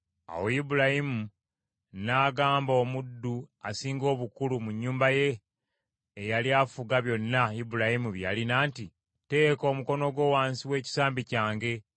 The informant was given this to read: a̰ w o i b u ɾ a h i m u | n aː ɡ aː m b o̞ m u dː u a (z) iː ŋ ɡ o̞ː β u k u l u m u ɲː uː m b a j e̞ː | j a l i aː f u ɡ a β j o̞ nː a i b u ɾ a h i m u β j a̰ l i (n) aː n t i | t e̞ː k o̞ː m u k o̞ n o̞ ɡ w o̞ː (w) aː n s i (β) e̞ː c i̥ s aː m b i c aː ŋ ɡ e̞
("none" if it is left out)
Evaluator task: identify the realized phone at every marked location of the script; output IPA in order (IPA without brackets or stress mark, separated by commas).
s, n, w, w